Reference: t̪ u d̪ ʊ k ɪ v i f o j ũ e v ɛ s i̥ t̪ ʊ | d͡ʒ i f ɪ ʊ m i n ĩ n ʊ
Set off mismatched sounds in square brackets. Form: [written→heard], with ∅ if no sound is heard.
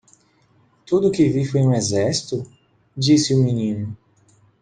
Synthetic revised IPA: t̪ u d̪ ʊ k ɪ v i f o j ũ e [v→z] ɛ s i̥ t̪ ʊ | d͡ʒ i [f→s] ɪ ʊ m i n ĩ n ʊ